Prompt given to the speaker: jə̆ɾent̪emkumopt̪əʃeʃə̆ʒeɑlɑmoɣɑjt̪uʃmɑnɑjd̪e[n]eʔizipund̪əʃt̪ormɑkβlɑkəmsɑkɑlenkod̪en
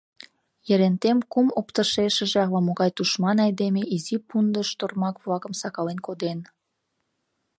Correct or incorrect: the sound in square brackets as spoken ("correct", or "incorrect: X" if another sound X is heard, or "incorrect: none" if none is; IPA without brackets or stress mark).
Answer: incorrect: m